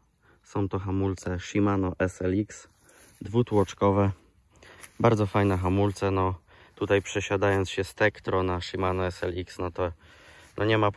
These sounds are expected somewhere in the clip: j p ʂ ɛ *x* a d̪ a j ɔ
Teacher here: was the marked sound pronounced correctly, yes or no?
no